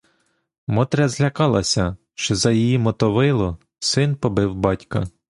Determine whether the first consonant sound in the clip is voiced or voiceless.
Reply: voiced